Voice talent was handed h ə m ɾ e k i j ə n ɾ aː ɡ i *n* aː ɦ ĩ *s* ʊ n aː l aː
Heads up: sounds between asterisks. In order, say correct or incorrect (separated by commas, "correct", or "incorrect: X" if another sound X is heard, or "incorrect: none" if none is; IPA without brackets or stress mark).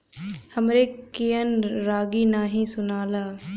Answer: correct, correct